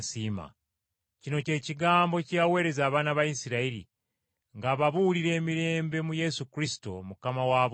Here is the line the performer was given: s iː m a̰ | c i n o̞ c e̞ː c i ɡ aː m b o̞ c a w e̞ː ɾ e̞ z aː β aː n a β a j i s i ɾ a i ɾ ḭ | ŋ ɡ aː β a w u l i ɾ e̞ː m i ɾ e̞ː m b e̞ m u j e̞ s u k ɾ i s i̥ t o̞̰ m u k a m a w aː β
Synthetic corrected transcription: s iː m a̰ | c i n o̞ c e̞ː c i ɡ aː m b o̞ c a w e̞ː ɾ e̞ z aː β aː n a β a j i s i ɾ a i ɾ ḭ | ŋ ɡ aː β a β u l i ɾ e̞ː m i ɾ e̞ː m b e̞ m u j e̞ s u k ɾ i s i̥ t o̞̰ m u k a m a w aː β